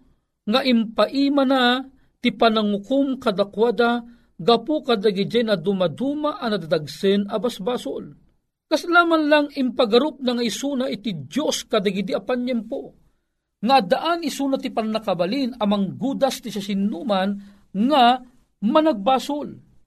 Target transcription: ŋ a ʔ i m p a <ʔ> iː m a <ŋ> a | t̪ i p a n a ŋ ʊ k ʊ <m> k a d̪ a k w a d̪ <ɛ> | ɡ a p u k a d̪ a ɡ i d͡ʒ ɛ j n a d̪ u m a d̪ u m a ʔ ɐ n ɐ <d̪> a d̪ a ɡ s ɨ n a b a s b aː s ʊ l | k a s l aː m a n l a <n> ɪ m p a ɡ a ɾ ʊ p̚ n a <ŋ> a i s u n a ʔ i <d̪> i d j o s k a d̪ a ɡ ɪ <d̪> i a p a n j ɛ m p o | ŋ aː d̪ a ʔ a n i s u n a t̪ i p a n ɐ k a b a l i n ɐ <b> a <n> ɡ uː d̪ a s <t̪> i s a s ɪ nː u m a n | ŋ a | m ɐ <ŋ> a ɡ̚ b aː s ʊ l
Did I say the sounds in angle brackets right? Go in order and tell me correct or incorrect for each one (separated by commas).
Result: correct, incorrect, correct, incorrect, correct, incorrect, correct, incorrect, correct, incorrect, incorrect, correct, incorrect